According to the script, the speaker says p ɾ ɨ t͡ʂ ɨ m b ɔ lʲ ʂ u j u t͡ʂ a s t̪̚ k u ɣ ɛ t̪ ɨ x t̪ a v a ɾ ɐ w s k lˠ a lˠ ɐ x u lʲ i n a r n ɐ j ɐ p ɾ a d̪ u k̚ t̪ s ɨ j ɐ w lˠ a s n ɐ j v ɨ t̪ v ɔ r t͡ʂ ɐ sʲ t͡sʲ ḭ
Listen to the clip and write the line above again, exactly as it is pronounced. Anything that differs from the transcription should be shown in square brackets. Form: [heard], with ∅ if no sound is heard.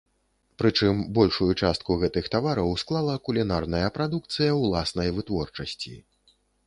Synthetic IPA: p ɾ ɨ t͡ʂ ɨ m b ɔ lʲ ʂ u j u t͡ʂ a s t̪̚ k u ɣ ɛ t̪ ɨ x t̪ a v a ɾ ɐ w s k lˠ a lˠ ɐ [k] u lʲ i n a r n ɐ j ɐ p ɾ a d̪ u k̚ t̪ s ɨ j ɐ w lˠ a s n ɐ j v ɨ t̪ v ɔ r t͡ʂ ɐ sʲ t͡sʲ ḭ